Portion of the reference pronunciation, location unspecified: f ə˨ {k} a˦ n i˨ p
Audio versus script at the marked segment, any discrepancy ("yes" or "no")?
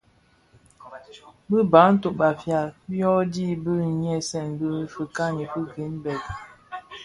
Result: no